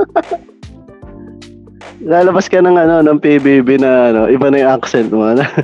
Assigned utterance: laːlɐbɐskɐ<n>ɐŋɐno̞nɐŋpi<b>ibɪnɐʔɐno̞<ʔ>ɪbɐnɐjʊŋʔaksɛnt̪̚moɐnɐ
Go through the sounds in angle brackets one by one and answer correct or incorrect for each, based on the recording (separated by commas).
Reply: correct, correct, correct